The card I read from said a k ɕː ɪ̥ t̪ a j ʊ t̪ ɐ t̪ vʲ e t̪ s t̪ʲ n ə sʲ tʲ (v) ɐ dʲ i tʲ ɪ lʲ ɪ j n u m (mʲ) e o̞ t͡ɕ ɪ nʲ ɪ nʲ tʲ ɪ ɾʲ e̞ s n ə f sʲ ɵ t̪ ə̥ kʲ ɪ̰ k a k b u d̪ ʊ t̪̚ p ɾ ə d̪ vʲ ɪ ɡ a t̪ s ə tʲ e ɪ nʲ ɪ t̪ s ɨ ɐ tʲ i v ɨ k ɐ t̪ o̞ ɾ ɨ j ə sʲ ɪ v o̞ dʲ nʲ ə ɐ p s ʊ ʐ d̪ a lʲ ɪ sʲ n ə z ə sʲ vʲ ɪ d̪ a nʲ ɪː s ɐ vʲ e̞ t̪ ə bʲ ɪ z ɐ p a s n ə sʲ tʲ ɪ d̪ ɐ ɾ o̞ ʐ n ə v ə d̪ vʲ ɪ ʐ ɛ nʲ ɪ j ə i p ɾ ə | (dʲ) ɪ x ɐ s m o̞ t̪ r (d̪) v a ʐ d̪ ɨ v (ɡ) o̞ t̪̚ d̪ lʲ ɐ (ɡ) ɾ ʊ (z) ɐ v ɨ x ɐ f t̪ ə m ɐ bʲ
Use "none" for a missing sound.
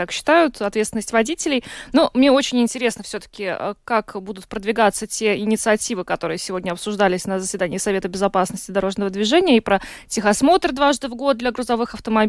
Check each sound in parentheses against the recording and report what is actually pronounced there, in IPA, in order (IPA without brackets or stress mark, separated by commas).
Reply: v, nʲ, tʲ, d̪, ɡ, ɡ, z